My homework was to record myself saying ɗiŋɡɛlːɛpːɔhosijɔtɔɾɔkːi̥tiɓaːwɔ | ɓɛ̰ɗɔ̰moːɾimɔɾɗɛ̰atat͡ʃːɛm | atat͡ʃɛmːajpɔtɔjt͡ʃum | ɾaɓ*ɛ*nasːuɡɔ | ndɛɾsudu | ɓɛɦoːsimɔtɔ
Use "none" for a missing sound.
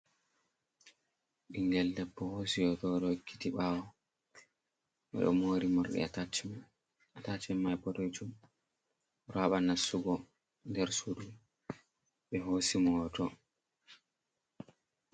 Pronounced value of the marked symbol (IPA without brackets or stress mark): a